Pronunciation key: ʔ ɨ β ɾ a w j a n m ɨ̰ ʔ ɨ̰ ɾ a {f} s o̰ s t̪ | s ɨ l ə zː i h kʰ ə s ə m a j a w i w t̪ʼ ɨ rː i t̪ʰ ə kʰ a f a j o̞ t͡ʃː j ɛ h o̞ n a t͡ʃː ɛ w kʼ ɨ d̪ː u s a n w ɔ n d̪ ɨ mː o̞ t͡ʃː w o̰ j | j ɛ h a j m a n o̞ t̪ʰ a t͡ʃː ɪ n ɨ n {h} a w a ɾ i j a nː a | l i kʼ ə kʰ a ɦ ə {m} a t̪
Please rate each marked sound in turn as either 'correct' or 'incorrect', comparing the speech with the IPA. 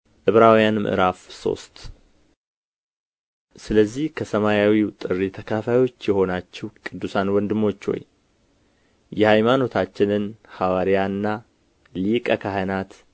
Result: correct, correct, incorrect: n

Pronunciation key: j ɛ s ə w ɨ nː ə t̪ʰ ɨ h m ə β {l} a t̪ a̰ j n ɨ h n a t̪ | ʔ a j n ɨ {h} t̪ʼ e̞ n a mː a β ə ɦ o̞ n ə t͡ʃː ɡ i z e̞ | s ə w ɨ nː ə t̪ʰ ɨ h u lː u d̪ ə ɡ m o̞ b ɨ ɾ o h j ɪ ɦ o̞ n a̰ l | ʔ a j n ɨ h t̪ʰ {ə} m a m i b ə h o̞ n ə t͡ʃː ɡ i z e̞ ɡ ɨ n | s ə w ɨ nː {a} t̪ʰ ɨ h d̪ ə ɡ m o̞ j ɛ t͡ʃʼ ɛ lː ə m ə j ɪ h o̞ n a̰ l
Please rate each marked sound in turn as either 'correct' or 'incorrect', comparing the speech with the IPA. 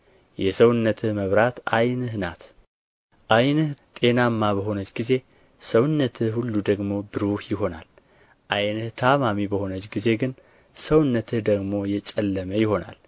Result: incorrect: ɾ, correct, incorrect: a, incorrect: ə

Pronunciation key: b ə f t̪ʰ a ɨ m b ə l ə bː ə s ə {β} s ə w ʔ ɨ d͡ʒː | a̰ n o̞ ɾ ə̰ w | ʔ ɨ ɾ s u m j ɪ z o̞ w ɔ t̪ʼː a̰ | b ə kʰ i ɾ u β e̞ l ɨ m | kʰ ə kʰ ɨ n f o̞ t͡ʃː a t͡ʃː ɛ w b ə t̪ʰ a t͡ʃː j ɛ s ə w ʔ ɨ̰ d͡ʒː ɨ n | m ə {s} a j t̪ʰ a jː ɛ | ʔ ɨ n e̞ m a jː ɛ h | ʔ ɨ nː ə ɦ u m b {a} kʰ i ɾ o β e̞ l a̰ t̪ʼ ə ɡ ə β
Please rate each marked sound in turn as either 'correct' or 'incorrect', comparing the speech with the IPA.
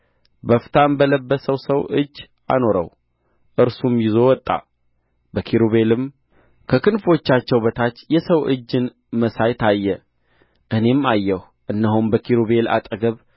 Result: incorrect: w, correct, incorrect: ə

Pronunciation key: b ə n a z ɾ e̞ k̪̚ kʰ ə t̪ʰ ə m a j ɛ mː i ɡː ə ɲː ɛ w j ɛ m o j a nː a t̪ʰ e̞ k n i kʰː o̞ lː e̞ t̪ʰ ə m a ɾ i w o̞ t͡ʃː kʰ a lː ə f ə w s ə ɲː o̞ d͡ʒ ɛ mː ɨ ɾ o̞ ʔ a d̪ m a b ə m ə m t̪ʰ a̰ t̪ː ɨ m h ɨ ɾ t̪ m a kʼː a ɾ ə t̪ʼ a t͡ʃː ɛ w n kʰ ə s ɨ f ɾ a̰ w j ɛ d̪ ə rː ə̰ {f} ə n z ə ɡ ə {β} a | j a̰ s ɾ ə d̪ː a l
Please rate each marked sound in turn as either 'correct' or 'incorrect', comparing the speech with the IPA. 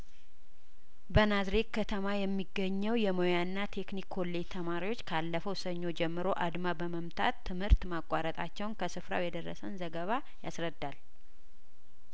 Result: incorrect: s, correct

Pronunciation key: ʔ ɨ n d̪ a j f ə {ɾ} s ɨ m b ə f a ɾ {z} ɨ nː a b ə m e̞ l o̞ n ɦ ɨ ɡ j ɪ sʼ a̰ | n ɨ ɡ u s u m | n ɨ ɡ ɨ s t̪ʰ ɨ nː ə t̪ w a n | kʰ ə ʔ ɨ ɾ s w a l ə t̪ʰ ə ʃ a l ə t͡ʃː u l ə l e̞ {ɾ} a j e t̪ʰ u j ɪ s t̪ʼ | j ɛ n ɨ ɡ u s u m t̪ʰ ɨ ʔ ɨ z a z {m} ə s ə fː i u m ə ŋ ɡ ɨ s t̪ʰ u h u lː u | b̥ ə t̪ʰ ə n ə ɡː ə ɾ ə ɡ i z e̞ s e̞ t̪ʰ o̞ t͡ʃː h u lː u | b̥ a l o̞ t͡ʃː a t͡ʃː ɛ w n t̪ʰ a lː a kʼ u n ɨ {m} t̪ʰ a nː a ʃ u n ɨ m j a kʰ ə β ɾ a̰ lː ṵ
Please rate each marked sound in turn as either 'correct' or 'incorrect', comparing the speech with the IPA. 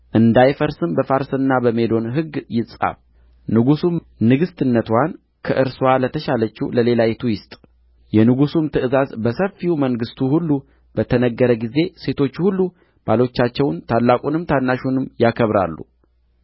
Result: correct, incorrect: s, incorrect: l, incorrect: b, correct

